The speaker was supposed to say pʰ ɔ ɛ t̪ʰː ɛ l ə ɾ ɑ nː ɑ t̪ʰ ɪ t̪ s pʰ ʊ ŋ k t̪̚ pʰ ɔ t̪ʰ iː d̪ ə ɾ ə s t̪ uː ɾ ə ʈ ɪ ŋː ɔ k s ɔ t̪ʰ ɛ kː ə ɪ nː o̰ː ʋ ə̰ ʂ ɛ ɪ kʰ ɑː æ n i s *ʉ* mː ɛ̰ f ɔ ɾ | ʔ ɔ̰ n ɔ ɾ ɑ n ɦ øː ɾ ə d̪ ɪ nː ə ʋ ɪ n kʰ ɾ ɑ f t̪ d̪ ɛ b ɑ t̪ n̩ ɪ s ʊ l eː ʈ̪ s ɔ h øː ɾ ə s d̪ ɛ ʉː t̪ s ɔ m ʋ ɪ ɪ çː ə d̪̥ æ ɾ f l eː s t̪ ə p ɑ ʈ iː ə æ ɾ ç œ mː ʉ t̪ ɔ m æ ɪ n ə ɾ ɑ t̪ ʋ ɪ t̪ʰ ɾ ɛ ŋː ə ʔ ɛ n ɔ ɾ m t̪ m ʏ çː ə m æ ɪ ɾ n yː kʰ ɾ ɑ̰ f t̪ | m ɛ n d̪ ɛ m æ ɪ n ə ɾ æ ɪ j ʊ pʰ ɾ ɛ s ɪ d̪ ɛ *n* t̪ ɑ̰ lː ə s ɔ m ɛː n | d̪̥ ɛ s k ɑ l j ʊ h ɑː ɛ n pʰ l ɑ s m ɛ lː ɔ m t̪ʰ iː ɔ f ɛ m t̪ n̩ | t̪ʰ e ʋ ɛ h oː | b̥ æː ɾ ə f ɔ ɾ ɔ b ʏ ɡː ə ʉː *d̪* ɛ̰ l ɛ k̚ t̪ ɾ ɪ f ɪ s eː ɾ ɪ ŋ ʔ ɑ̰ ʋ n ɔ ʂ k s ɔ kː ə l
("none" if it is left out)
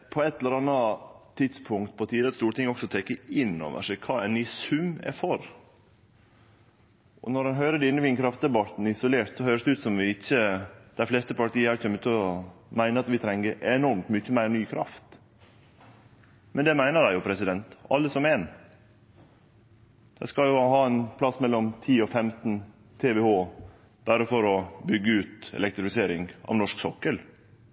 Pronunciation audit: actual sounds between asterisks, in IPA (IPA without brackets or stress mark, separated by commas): ʉ, n, t̪